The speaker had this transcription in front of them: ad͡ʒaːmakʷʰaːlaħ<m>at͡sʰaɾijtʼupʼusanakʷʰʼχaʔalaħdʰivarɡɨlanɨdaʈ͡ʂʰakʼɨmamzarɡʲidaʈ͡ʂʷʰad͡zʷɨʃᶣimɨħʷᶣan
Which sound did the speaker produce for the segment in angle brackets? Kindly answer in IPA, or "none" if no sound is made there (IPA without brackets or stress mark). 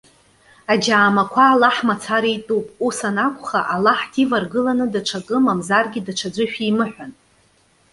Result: m